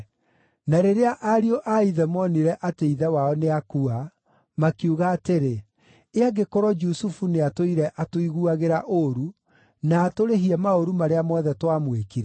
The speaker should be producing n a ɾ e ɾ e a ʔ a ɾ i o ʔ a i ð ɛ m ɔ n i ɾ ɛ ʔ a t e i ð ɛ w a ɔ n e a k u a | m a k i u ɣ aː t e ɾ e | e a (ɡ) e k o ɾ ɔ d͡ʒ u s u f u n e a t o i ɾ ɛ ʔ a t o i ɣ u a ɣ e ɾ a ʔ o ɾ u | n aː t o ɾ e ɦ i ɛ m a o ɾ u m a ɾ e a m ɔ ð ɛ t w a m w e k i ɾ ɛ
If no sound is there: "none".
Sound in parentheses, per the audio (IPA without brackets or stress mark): ɡ